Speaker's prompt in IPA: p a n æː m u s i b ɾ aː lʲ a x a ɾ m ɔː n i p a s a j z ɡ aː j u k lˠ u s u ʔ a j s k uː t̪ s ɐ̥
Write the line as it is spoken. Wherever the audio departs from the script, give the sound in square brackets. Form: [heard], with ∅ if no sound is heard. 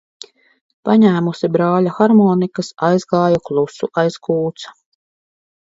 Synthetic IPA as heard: p a [ɲ] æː m u s i b ɾ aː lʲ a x a ɾ m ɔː n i [k] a s a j z ɡ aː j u k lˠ u s u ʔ a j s k uː t̪ s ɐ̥